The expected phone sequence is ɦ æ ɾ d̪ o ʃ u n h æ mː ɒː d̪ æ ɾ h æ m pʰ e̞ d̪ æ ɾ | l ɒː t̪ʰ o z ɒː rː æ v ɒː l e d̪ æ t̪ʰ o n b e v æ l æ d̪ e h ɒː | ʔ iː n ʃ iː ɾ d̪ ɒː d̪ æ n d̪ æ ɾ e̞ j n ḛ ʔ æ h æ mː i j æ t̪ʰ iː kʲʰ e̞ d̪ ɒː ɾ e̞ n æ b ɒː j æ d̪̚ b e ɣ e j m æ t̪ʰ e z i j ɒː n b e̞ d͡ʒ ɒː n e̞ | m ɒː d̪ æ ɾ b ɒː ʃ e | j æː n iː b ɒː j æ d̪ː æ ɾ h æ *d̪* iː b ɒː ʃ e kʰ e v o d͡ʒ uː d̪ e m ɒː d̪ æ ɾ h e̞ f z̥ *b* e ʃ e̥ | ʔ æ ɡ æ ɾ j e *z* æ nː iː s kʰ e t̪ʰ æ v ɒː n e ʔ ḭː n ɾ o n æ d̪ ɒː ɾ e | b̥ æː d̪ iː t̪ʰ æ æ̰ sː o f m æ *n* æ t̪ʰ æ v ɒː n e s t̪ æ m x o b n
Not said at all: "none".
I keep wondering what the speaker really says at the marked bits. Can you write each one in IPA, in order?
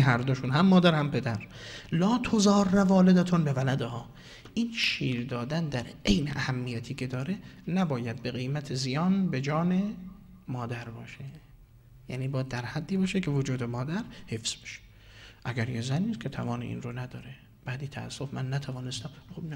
d̪ː, b, z, nː

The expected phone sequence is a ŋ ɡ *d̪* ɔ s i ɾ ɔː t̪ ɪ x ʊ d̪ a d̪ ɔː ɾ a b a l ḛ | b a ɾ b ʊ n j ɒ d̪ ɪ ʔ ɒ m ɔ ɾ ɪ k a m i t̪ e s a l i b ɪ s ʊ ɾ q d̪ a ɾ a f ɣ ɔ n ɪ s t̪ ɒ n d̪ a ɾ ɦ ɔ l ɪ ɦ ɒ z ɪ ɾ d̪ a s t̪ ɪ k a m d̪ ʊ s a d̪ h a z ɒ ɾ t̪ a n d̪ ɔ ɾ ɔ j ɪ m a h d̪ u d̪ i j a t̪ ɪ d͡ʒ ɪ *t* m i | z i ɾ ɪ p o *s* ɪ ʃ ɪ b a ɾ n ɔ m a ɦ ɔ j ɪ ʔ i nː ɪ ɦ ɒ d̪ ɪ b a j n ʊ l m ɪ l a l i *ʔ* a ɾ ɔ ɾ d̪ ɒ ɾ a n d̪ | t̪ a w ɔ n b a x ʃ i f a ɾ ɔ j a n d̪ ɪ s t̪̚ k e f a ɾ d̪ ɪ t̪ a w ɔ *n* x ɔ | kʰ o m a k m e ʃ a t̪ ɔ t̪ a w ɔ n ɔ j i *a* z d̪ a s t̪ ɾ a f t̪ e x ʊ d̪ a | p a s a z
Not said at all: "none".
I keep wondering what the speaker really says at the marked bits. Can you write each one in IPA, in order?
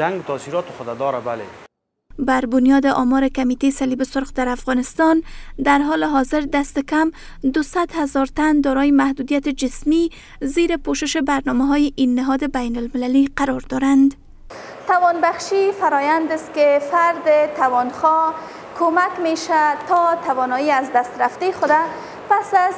t̪, s, ʃ, q, n, a

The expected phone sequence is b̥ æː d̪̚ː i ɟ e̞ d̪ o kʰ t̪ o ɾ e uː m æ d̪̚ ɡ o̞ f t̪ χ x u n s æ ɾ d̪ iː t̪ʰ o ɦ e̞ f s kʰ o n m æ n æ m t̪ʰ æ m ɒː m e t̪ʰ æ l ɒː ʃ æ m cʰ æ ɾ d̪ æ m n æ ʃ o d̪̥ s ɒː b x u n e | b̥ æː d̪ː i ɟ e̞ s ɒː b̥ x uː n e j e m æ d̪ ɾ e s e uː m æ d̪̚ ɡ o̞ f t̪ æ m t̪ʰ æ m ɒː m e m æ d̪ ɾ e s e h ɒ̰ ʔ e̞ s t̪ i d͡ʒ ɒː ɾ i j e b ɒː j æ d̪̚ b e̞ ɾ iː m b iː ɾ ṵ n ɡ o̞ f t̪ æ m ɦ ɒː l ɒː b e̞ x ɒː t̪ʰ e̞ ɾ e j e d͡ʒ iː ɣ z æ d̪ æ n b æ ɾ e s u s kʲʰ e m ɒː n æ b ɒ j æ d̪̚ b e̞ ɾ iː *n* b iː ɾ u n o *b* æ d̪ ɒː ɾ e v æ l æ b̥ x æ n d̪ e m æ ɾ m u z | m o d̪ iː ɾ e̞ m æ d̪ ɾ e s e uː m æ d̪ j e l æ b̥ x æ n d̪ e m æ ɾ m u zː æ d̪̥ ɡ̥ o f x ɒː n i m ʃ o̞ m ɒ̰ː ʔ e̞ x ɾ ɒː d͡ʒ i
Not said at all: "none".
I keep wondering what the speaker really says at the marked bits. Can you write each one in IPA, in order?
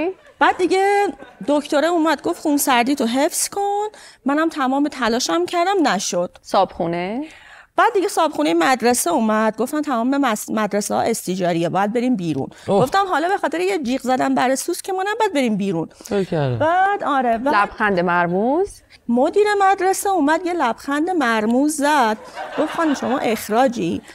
m, b

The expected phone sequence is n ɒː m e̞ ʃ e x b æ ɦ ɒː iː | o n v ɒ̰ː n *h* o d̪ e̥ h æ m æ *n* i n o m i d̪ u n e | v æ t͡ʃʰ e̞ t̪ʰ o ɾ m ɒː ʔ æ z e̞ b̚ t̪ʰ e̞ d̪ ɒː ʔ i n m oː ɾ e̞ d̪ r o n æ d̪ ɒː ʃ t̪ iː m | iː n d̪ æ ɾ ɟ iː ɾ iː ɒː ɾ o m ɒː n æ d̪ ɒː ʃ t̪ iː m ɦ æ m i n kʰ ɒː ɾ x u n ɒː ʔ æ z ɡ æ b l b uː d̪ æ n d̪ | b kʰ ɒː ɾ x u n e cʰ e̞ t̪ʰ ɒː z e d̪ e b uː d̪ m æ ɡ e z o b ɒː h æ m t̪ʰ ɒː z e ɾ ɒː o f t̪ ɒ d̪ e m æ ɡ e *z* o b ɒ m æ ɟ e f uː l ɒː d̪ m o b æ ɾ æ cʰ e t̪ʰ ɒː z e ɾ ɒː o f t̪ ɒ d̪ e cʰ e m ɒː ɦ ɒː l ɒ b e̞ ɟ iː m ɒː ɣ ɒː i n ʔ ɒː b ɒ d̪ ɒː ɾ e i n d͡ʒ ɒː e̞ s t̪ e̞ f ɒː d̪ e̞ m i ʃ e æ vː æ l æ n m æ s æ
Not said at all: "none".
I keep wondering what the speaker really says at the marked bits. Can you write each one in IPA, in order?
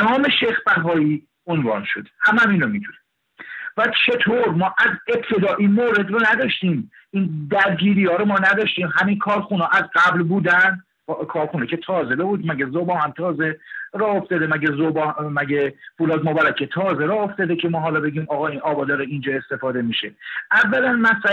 ʃ, m, z

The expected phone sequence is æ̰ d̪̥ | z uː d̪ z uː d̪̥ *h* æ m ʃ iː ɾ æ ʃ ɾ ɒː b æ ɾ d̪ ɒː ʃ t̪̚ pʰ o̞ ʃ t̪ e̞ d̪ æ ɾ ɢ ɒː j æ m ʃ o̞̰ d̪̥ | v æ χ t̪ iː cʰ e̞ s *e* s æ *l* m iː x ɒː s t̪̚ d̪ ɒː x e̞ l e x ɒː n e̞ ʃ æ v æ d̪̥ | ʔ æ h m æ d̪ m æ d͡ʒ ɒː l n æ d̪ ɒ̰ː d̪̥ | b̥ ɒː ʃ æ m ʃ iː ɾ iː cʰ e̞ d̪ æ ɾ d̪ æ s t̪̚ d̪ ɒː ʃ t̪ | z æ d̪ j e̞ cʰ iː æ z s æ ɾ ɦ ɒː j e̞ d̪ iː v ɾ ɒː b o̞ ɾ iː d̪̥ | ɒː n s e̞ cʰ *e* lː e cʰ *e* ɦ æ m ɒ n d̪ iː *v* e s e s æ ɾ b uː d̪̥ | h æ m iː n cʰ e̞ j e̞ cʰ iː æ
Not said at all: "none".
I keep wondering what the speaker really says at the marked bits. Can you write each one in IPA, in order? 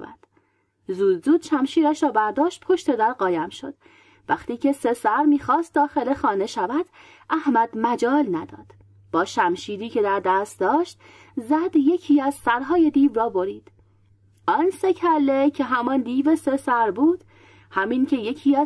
ʃ, e, ɾ, æ, e, v

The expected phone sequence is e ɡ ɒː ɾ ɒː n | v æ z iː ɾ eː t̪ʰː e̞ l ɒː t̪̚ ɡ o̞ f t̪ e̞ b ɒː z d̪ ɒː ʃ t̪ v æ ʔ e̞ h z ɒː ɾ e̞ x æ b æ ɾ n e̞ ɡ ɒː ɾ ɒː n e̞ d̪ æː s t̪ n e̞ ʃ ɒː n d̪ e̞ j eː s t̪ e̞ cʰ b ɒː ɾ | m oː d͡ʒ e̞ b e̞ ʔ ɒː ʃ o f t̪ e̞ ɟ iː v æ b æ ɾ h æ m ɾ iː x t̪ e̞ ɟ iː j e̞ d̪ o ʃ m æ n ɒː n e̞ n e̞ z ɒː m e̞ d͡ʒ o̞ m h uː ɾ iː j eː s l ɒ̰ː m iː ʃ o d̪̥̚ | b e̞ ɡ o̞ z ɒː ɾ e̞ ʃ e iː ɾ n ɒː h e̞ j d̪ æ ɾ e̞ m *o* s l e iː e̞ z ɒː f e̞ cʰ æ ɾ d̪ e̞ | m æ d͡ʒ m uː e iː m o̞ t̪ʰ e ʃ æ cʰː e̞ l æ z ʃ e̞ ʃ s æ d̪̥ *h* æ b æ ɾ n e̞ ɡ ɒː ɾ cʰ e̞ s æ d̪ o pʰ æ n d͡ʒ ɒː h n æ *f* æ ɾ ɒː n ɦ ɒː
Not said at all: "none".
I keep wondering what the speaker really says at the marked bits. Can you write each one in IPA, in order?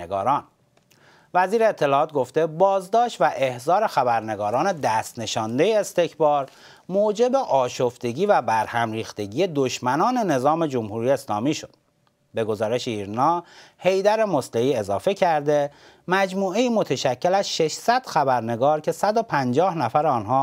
o, x, f

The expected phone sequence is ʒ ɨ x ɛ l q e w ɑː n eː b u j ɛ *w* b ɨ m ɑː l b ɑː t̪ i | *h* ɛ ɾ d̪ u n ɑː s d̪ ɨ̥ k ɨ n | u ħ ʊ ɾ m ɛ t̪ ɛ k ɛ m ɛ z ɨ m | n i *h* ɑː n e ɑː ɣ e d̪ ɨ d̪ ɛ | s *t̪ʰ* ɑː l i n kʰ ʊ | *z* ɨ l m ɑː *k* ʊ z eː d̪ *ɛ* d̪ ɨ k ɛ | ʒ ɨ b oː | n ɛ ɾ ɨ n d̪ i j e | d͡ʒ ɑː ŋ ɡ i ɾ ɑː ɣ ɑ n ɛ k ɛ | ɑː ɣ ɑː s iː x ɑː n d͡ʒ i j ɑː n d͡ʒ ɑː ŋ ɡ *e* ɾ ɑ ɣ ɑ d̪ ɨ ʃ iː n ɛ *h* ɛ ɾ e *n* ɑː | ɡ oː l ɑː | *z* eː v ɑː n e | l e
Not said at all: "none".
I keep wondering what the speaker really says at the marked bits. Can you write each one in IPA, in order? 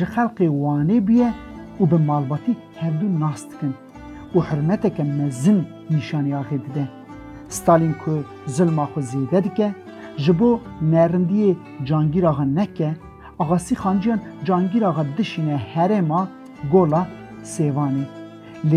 u, h, ʃ, t̪, z, x, ɛ, i, h, m, s

